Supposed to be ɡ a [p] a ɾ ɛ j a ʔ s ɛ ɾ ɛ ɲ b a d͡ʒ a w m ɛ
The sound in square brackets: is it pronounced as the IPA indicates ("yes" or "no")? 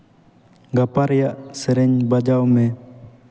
yes